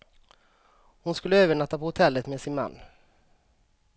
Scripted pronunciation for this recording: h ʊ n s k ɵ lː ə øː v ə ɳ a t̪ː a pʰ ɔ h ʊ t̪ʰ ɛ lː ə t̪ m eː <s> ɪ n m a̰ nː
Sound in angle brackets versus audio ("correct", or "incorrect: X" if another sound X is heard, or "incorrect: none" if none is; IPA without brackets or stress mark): correct